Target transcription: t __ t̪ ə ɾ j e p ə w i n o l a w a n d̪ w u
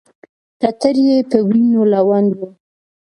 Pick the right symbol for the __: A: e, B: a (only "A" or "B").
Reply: B